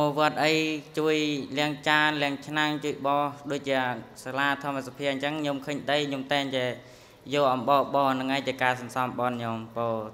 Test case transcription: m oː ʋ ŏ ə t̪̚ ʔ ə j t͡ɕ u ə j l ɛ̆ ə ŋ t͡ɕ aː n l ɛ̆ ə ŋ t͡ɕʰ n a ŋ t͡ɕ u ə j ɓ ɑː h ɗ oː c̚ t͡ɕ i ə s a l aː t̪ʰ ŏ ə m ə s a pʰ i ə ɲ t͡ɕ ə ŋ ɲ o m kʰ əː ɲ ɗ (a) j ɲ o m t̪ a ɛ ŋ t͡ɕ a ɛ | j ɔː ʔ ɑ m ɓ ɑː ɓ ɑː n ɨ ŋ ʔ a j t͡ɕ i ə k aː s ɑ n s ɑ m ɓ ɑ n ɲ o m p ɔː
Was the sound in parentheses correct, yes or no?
no